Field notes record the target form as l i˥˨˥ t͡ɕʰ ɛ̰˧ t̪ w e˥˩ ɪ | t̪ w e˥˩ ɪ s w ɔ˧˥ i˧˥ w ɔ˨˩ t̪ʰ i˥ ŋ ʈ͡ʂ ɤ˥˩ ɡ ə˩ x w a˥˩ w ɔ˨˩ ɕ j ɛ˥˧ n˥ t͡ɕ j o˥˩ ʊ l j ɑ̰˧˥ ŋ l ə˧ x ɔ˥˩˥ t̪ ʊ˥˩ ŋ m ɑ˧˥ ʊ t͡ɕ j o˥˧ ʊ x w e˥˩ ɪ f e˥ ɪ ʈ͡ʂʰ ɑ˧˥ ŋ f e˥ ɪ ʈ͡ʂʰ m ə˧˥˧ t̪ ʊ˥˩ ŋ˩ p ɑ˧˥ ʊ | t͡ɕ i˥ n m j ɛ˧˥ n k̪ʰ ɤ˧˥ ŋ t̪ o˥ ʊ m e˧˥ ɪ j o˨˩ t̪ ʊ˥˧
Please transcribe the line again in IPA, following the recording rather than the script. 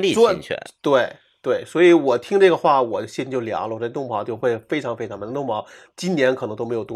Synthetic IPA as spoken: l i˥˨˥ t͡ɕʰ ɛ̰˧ t̪ w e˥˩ ɪ | t̪ w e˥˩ ɪ s w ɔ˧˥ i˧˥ w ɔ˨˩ t̪ʰ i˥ ŋ ʈ͡ʂ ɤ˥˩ ɡ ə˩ x w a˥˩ w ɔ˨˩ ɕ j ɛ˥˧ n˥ t͡ɕ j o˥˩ ʊ l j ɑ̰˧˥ ŋ l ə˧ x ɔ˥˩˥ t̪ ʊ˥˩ ŋ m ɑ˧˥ ʊ t͡ɕ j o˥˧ ʊ x w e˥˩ ɪ f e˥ ɪ ʈ͡ʂʰ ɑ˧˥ ŋ f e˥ ɪ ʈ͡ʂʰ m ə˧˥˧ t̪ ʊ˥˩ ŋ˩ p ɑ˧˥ ʊ | t͡ɕ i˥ n n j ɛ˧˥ n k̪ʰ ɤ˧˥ ŋ t̪ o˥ ʊ m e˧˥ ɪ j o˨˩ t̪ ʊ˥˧